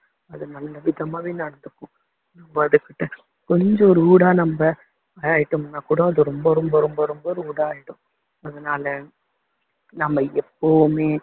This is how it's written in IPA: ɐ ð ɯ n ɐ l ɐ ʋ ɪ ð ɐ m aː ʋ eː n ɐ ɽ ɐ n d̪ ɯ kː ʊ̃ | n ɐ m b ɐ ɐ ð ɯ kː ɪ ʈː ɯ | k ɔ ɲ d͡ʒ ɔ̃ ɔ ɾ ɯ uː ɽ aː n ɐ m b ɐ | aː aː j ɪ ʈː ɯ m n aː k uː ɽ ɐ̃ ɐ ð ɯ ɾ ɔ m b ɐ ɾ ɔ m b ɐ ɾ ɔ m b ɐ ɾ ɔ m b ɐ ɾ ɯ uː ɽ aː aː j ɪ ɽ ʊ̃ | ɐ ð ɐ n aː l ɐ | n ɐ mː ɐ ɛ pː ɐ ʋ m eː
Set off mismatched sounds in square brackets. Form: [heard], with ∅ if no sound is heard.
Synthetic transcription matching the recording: ɐ ð ɯ n ɐ [lː] ɐ ʋ ɪ ð ɐ m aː ʋ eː n ɐ ɽ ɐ n d̪ ɯ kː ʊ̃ | n ɐ m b ɐ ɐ ð ɯ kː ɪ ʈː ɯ | k ɔ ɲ d͡ʒ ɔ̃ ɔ ɾ ɯ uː ɽ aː n ɐ m b ɐ | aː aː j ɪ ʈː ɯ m n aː k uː ɽ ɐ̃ ɐ ð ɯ ɾ ɔ m b ɐ ɾ ɔ m b ɐ ɾ ɔ m b ɐ ɾ ɔ m b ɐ ɾ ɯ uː ɽ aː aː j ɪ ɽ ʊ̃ | ɐ ð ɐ n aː l ɐ | n ɐ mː ɐ ɛ pː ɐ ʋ m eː